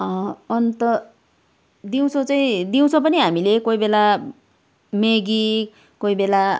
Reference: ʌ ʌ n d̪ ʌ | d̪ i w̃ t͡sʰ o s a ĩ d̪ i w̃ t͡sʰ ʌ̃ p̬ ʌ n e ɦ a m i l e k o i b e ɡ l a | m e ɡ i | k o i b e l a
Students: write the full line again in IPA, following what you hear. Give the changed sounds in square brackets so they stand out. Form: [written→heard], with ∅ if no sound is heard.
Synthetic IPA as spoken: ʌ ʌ n [d̪→t̪] ʌ | d̪ i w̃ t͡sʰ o [s→t͡s] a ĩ d̪ i w̃ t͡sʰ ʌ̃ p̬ ʌ n [e→i] ɦ a m i l e k o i b e [ɡ→∅] l a | m e ɡ i | k o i b e l a